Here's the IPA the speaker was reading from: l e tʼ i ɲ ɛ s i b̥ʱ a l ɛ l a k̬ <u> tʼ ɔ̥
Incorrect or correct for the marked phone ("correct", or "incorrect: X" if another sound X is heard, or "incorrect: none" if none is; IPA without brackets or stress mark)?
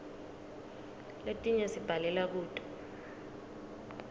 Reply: incorrect: uː